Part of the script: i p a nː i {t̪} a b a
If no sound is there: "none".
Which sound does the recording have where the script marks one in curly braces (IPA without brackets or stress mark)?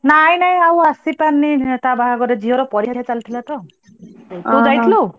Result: t̪